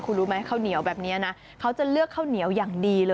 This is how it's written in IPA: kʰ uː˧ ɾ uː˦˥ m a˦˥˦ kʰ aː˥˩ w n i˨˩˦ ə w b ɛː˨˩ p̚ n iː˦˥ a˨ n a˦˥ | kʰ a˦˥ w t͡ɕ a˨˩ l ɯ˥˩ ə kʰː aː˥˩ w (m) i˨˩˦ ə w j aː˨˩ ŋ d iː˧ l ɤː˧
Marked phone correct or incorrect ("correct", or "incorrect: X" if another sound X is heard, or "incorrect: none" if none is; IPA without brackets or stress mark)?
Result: incorrect: n